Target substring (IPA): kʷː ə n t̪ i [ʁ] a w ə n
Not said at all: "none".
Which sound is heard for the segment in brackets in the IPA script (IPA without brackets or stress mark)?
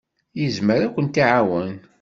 ʕ